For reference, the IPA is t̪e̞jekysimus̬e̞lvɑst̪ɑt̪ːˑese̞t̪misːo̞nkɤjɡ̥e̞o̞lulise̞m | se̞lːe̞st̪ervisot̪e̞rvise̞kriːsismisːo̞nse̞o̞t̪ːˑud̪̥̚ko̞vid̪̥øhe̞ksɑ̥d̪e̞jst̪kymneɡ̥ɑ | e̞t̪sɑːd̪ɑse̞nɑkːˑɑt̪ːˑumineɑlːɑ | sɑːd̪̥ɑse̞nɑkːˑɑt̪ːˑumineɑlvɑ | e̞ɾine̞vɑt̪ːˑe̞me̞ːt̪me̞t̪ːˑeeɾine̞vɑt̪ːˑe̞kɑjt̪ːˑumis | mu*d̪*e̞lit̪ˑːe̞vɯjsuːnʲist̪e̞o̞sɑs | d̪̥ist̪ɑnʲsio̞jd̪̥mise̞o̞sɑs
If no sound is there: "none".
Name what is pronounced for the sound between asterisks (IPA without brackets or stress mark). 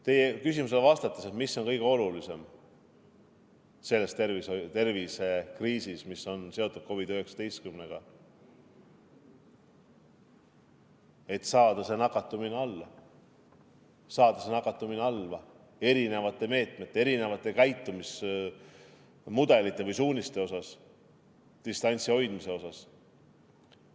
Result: d̪